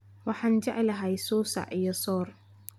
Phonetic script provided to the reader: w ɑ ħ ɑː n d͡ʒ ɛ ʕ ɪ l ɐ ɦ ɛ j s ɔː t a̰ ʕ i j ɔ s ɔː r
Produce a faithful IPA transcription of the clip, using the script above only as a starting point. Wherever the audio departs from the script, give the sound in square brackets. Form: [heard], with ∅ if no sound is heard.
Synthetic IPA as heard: w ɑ ħ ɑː n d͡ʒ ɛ ʕ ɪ l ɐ ɦ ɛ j s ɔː [s] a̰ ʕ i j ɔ s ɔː r